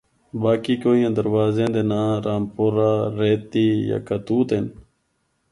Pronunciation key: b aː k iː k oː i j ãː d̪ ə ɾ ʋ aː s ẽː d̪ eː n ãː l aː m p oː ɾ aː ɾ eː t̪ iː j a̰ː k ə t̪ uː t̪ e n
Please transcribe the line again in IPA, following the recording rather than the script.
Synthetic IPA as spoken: b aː k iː k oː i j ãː d̪ ə ɾ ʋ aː z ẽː d̪ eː n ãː ɾ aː m p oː ɾ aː ɾ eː t̪ iː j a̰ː k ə t̪ uː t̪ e n